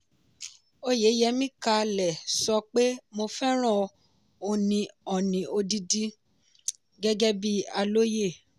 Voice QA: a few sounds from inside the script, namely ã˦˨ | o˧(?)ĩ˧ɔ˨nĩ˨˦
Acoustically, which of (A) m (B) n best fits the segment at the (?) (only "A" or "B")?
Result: B